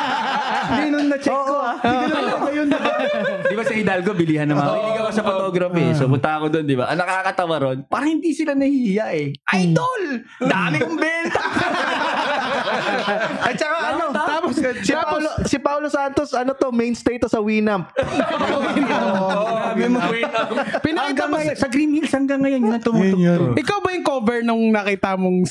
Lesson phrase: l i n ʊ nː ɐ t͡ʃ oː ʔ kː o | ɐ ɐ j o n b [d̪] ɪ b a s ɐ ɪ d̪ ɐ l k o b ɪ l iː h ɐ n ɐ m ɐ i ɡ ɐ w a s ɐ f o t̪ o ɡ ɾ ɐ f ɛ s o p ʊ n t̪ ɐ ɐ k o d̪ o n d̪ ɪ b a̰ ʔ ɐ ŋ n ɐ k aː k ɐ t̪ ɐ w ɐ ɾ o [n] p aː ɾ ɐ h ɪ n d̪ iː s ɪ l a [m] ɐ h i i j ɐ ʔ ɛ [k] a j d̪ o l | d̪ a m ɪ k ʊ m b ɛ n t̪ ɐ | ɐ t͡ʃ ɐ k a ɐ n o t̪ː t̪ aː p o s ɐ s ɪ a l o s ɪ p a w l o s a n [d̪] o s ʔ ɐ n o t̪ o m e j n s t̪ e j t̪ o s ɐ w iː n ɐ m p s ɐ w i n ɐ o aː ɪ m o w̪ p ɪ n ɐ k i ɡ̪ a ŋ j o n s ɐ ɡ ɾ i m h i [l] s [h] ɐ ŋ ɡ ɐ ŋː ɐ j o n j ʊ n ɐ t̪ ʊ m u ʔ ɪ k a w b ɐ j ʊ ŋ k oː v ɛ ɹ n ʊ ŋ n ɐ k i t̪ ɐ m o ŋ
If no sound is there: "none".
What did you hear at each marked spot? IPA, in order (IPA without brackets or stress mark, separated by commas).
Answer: d̪, n, n, ʔ, t̪, l, h